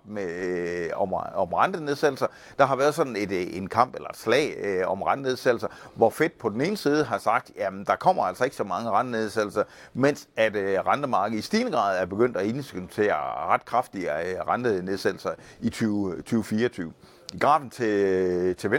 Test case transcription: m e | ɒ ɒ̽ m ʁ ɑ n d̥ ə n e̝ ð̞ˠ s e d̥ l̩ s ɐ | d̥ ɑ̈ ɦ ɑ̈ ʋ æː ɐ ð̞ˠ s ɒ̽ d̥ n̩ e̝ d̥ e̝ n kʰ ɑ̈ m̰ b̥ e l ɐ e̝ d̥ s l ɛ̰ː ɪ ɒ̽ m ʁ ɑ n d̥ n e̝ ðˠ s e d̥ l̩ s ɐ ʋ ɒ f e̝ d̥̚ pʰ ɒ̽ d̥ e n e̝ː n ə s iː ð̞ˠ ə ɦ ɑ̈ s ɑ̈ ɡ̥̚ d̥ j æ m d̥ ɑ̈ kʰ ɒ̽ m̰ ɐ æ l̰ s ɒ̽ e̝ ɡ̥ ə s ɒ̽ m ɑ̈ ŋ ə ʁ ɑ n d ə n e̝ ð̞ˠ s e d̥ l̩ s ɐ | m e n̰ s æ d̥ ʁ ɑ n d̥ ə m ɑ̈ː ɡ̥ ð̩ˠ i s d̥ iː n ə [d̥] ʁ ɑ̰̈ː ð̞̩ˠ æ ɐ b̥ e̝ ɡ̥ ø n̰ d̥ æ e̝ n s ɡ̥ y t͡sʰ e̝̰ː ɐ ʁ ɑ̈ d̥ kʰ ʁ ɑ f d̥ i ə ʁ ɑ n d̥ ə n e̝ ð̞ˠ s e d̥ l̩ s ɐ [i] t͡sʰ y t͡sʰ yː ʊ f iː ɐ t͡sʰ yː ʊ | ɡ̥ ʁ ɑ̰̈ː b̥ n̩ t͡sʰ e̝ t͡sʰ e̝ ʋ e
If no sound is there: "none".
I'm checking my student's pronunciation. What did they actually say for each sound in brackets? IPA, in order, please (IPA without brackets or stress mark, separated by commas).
ɡ̥, i